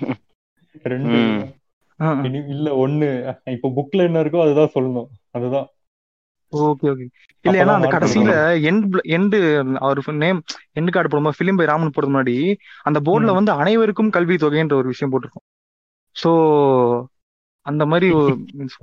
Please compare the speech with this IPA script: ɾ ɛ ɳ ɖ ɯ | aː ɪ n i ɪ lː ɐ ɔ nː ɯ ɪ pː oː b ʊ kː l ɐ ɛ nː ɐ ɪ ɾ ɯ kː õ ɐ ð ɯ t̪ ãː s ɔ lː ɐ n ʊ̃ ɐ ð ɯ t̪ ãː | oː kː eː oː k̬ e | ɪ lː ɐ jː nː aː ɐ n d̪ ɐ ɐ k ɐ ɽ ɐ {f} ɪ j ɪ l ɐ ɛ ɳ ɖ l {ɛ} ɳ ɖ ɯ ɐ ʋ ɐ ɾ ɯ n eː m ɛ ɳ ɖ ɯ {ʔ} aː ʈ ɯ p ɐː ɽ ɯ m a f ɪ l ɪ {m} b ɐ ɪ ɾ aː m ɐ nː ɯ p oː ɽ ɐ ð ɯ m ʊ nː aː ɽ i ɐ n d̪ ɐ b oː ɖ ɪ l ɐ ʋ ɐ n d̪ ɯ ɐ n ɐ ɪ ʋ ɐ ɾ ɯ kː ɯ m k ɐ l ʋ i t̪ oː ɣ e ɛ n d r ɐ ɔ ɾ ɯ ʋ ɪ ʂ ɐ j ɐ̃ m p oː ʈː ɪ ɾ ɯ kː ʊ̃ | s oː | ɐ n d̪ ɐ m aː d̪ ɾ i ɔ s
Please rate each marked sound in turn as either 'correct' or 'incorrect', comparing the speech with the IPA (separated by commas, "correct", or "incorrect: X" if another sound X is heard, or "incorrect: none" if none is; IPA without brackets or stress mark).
incorrect: s, correct, incorrect: k, correct